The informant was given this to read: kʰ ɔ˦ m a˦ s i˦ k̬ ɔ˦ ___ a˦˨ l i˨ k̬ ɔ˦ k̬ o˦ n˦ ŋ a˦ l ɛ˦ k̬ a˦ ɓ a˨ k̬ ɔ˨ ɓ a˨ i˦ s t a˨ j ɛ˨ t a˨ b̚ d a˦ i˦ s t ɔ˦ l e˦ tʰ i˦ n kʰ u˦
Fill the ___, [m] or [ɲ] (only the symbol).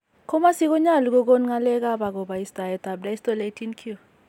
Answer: ɲ